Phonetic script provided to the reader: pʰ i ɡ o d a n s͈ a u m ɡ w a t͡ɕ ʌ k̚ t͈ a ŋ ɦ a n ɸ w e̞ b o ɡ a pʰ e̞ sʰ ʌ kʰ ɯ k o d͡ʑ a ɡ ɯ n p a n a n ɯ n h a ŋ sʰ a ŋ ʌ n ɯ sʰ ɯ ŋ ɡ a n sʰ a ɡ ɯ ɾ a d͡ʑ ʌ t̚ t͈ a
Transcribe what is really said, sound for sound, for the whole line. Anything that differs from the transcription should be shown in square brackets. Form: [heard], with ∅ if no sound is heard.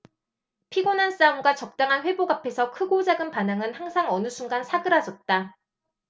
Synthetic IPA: pʰ i ɡ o [n] a n s͈ a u m ɡ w a t͡ɕ ʌ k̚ t͈ a ŋ ɦ a n ɸ w e̞ b o ɡ a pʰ e̞ sʰ ʌ kʰ ɯ [ɡ] o d͡ʑ a ɡ ɯ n p a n a [ŋ] ɯ n h a ŋ sʰ a ŋ ʌ n ɯ sʰ [u] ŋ ɡ a n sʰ a ɡ ɯ ɾ a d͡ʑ ʌ t̚ t͈ a